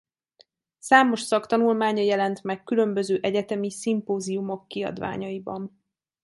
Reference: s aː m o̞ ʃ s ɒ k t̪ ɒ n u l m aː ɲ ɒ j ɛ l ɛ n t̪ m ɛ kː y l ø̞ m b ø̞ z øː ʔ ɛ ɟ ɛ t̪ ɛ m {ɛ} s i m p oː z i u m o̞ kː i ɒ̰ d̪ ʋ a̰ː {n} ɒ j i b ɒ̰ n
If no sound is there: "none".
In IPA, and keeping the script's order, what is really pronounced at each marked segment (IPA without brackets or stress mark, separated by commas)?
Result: i, ɲ